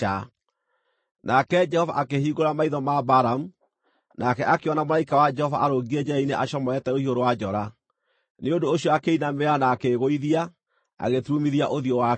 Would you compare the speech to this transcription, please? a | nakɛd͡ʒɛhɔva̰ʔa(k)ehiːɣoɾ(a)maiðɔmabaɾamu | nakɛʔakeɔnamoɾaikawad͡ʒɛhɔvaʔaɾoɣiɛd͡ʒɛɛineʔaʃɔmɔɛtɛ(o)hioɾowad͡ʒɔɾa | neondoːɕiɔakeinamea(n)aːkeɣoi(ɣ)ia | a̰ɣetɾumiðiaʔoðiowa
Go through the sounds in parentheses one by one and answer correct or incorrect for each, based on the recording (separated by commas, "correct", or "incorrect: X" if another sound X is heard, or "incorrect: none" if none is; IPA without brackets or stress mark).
correct, correct, correct, correct, incorrect: ð